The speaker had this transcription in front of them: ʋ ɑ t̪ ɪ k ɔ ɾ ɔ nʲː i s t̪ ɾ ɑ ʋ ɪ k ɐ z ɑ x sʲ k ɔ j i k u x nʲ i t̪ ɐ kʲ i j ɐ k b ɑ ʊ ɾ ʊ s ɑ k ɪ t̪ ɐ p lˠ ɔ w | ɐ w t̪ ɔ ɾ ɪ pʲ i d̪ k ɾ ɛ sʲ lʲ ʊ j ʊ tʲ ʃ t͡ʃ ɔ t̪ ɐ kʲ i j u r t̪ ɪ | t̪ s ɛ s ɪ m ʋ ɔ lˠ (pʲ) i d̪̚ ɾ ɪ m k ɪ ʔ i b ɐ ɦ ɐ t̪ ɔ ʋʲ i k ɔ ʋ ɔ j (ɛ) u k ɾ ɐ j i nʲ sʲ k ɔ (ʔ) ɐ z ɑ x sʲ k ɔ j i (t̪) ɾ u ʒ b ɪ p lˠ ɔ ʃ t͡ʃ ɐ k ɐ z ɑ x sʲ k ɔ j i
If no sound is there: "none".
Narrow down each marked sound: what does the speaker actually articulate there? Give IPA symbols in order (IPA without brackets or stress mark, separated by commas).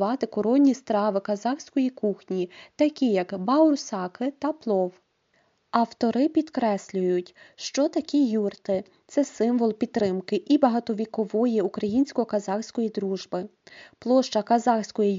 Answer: pʲ, i, k, d̪